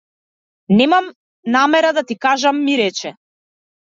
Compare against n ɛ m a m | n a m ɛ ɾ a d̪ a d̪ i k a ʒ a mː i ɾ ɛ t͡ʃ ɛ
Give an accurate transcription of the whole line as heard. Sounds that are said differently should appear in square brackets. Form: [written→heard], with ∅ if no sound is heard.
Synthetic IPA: n ɛ m a m | n a m ɛ ɾ a d̪ a [d̪→t̪] i k a ʒ a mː i ɾ ɛ t͡ʃ ɛ